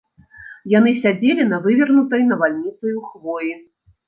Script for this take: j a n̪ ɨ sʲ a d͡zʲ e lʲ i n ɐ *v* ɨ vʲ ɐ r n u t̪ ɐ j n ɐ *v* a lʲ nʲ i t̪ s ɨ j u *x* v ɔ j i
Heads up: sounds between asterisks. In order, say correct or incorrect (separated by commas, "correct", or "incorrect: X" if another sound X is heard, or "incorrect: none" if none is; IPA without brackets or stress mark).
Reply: correct, correct, correct